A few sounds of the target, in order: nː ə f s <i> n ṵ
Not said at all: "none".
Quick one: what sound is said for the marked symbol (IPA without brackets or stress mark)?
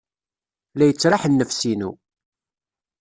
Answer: i